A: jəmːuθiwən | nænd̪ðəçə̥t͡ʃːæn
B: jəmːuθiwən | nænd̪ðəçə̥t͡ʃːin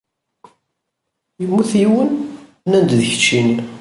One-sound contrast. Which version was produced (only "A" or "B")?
B